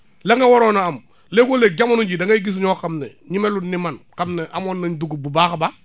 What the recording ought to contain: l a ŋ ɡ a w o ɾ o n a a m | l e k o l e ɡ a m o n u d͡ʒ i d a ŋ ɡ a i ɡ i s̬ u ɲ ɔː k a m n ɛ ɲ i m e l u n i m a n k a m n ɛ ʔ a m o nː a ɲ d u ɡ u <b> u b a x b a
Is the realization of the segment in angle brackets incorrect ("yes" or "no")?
no